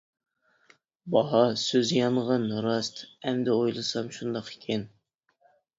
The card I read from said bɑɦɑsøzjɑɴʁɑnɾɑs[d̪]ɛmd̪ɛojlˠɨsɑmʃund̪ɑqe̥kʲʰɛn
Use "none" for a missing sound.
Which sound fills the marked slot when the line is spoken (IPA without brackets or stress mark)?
t̪